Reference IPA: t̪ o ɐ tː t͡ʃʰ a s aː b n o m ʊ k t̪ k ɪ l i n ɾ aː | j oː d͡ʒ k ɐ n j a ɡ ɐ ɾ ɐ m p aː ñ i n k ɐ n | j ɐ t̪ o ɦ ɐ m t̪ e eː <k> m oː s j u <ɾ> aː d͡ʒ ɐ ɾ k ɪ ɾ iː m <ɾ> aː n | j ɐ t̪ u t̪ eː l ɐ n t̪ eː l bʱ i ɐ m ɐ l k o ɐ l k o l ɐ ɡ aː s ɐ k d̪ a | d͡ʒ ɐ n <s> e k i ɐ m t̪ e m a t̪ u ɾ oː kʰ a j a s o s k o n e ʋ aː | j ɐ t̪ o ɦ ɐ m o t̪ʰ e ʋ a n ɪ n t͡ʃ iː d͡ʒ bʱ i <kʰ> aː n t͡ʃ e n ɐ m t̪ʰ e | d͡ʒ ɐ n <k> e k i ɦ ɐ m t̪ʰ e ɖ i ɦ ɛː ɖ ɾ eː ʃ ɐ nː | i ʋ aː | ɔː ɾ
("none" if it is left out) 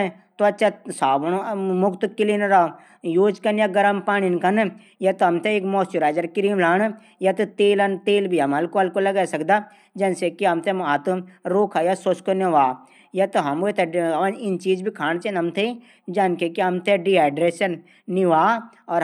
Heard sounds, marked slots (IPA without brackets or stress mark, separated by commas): k, ɾ, l, s, kʰ, k